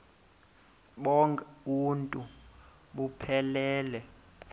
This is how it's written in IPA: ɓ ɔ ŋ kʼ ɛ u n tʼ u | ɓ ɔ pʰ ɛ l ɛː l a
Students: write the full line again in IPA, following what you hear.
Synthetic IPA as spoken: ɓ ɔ ŋ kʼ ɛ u n tʼ u | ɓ u pʰ ɛ l ɛː l ɛ